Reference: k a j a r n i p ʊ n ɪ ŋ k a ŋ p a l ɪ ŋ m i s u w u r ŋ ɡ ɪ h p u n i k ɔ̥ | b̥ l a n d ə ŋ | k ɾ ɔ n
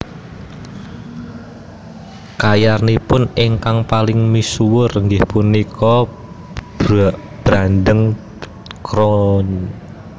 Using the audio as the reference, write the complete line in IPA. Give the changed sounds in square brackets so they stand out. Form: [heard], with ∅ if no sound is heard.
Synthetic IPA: k a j a r n i p ʊ n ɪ ŋ k a ŋ p a l ɪ ŋ m i s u w [ʊ] r ŋ ɡ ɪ h p u n i k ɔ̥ | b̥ [ɾ] a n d ə ŋ | k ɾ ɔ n